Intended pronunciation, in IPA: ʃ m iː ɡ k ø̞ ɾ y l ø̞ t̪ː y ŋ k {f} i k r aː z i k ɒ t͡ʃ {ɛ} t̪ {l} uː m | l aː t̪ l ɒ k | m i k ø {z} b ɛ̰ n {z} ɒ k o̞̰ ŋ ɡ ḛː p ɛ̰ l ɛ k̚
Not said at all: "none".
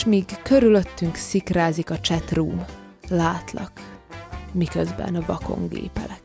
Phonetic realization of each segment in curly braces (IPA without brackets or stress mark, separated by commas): s, ɛ, r, z, v